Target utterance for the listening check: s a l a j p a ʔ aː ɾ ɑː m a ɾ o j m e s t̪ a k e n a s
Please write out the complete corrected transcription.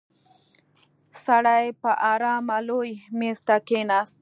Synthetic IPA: s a ɽ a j p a ʔ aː ɾ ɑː m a l o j m e s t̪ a k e n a s

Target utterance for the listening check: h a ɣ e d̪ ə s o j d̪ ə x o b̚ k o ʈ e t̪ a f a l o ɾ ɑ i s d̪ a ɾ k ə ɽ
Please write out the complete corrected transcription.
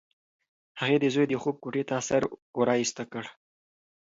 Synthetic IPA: h a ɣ e d̪ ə z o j d̪ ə x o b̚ k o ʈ e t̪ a s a ɾ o ɾ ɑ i s t̪ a k ə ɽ

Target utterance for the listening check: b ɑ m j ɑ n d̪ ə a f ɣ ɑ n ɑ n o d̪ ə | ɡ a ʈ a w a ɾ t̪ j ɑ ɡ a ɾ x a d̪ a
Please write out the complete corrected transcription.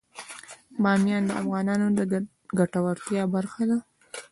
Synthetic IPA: b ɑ m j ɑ n d̪ ə a f ɣ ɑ n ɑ n o d̪ ə | ɡ a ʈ a w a ɾ t̪ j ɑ b a ɾ x a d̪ a

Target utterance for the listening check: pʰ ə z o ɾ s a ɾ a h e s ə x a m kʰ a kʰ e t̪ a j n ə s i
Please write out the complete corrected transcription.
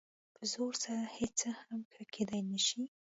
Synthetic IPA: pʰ ə z o ɾ s a ɾ a h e t͡s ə h a m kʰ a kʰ e d̪ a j n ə ʃ i

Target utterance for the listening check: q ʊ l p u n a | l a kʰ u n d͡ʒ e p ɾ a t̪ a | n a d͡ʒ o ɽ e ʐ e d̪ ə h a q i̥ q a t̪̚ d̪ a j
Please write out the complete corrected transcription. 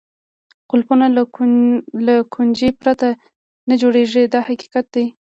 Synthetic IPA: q ʊ l p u n a | l a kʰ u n d͡ʒ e p ɾ a t̪ a | n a d͡ʒ o ɽ e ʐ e d̪ ɑ h a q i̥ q a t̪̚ d̪ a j

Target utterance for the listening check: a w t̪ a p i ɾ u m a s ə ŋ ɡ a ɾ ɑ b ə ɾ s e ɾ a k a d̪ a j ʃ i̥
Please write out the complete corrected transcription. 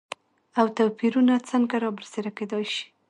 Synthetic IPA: a w t̪ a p i ɾ u n a t͡s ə ŋ ɡ a ɾ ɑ b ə ɾ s e ɾ a k e d̪ ɑ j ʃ i̥

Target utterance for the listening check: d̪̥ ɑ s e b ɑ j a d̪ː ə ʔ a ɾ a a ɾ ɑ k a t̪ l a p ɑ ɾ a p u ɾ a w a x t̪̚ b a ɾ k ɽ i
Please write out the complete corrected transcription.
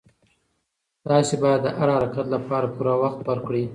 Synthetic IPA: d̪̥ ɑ s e b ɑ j a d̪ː ə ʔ a ɾ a a ɾ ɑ k a t̪ l a p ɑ ɾ a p u ɾ a w a x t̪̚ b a ɾ k ɽ i

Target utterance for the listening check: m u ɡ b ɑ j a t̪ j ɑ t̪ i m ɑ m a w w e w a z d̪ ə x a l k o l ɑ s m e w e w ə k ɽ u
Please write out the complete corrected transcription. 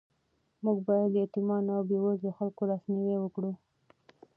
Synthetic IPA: m u ɡ b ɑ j a d̪ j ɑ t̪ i m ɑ n a w b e w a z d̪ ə x a l k o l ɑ s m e w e w ə k ɽ u

